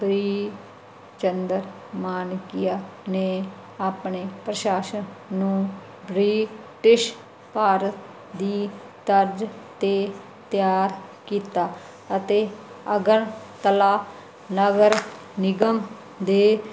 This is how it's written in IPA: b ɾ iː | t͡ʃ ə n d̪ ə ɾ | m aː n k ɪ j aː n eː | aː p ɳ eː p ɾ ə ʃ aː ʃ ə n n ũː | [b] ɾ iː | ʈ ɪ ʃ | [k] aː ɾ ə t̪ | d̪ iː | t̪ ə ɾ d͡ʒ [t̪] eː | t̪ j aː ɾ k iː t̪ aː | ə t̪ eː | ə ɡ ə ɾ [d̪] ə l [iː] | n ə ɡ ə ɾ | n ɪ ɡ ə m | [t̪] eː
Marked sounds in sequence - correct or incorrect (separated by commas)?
correct, incorrect, correct, incorrect, incorrect, incorrect